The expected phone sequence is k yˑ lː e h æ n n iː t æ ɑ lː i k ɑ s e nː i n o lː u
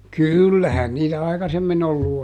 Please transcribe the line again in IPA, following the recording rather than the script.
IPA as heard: k yˑ lː æ h æ n n iː t æ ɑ i k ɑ s e mː i n o lː u

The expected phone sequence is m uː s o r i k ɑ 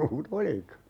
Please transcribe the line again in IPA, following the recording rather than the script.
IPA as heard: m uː t o l i k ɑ

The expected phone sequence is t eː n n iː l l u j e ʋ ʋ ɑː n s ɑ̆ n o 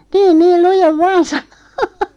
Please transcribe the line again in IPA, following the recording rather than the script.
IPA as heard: t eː n n iː l l u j e ʋ ʋ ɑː n s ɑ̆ n o

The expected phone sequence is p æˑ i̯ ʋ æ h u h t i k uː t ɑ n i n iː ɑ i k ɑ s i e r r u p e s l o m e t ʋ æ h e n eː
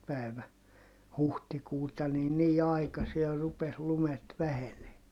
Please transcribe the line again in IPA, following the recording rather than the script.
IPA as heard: p æˑ i̯ ʋ æ h u h t i k uː t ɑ n i n iː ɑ i k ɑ s i e r r u p e s l u m e t ʋ æ h e n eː

